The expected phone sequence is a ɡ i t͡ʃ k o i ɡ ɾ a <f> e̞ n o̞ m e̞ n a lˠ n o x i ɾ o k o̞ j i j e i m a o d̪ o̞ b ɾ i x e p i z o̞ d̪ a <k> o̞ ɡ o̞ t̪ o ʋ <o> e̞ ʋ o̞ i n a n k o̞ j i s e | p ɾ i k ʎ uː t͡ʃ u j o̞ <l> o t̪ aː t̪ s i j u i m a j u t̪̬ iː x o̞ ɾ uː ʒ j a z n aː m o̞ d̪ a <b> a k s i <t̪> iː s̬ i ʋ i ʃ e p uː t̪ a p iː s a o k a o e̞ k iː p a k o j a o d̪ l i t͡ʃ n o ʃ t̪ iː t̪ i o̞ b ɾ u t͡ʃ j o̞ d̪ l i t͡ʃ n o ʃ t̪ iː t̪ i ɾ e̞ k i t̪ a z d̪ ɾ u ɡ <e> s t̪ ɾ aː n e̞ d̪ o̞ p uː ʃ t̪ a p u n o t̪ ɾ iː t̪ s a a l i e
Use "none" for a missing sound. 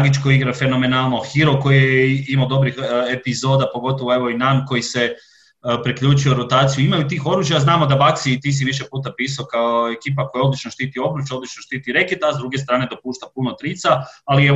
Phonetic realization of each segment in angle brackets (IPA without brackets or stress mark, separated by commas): f, p, o, ɾ, b, t̪, e